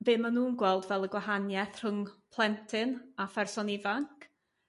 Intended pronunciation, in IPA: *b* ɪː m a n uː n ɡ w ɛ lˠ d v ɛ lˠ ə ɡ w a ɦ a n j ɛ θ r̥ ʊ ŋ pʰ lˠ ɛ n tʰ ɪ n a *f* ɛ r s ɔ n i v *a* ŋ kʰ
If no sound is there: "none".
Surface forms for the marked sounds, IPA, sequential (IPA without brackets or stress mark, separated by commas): b, f, a